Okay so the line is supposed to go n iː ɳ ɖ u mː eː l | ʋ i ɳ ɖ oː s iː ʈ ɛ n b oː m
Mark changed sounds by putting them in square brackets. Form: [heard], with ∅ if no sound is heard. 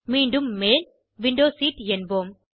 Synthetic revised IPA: [m] iː ɳ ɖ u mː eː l | ʋ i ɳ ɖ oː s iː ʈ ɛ n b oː m